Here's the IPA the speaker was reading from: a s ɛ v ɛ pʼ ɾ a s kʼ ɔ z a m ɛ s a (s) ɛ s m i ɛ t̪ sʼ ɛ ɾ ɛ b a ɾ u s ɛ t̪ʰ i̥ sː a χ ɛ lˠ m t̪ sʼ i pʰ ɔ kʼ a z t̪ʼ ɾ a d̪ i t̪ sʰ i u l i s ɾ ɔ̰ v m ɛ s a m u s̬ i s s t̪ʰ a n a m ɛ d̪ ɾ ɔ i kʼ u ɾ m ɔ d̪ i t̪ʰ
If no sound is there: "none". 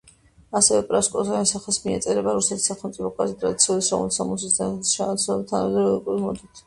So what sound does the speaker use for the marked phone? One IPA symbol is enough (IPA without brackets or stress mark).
χ